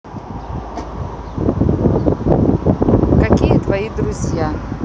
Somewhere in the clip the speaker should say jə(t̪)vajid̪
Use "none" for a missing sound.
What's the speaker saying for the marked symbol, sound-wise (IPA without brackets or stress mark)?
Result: t̪